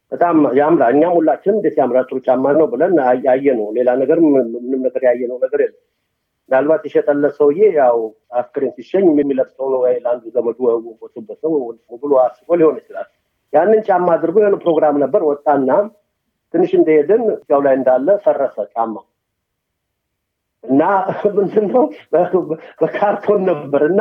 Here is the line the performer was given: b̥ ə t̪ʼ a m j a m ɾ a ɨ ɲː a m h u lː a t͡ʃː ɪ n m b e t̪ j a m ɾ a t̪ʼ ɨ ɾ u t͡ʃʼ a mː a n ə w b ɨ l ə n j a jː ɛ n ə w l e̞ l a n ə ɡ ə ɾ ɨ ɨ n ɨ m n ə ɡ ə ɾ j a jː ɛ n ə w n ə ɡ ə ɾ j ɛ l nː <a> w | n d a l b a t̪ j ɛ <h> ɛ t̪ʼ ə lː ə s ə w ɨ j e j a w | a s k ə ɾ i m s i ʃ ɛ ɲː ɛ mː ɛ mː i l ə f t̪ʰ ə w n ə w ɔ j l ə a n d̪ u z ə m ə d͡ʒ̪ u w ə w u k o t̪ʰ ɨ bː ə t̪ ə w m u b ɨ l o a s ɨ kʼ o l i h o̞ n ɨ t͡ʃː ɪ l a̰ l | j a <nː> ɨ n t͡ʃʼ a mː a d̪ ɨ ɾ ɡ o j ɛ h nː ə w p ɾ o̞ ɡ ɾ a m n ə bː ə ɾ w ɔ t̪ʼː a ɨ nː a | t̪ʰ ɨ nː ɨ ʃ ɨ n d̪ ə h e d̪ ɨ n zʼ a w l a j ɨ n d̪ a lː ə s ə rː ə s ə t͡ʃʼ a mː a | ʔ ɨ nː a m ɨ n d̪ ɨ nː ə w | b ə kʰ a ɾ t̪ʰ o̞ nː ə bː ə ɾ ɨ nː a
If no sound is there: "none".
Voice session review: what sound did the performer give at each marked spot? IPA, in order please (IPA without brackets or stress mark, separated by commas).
ə, ʃ, nː